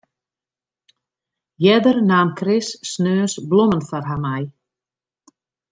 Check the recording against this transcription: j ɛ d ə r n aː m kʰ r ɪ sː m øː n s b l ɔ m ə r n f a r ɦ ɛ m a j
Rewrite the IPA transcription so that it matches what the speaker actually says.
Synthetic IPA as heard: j ɛ d ə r n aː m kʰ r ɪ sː n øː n s b l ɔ m ə n f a r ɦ a m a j

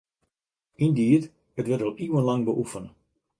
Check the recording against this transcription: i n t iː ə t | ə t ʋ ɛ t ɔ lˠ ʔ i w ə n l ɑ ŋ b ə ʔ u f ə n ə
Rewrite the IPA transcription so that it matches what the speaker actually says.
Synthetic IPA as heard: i n d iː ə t | ə t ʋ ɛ t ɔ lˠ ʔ i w ə n l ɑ ŋ b ə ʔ u f ə n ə

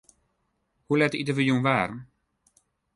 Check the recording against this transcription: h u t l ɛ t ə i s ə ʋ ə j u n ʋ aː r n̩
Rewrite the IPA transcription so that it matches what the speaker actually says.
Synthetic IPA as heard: h u l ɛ t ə i t ə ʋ ə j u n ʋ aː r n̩

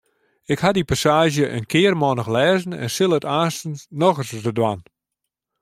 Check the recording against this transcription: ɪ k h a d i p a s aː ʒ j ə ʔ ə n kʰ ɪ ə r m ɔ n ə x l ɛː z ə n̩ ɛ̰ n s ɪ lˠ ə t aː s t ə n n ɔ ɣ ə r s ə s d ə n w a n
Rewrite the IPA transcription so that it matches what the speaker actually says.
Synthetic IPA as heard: ɪ k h a d i p a s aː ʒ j ə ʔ ə n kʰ ɪ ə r m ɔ n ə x l ɛː z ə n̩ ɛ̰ n s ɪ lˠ ə t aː s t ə n n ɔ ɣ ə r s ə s d ə d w a n

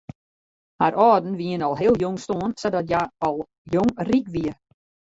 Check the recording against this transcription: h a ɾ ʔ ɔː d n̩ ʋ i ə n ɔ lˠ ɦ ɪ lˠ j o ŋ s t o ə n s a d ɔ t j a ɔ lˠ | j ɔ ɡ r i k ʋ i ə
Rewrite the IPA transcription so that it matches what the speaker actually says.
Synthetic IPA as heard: h a ɾ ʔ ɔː d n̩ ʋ i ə n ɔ lˠ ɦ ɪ lˠ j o ŋ s t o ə n s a d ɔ t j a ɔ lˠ | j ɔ ŋ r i k ʋ i ə

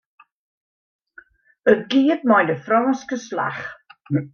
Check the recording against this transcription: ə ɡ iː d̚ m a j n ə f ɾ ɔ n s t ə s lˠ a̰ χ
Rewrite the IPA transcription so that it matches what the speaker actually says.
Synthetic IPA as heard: ə ɡ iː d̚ m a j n ə f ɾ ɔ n s k ə s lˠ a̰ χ

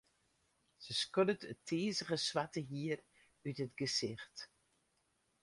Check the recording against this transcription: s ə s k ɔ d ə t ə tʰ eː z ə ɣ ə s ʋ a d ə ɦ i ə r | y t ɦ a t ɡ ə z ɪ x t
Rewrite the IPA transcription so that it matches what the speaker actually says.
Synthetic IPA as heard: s ə s k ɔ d ə t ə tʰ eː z ə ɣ ə s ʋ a t ə ɦ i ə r | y t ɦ ə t ɡ ə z ɪ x t

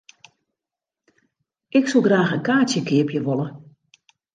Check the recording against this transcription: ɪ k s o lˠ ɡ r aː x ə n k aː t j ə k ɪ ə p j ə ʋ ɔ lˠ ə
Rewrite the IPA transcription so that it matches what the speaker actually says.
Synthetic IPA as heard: ɪ k s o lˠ ɡ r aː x ə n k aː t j ə k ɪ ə p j ə ʋ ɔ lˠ ə

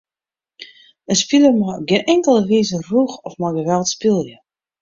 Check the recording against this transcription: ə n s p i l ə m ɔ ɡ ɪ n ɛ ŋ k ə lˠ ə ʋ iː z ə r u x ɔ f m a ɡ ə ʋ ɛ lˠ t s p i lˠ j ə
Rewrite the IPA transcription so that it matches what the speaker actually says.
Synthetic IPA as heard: ə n s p i l ə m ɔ ɡ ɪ n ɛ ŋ k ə lˠ ə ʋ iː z ə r u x ɔ f m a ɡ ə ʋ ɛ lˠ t s p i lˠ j ə

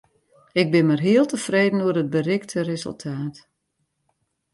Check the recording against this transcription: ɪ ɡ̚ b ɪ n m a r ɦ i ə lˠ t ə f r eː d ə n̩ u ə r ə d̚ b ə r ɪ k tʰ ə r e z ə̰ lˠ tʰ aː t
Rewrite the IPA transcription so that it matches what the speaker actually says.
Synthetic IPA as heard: ɪ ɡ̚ b ɪ n m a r ɦ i ə lˠ t ə f r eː d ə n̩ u ə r ə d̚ b ə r ɪ k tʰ ə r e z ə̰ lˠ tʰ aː t

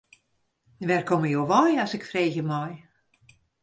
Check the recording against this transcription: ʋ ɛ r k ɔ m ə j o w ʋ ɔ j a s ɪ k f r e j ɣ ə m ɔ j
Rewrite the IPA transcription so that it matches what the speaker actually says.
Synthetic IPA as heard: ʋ ɛ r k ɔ m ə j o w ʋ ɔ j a s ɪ k f r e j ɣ ə m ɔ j

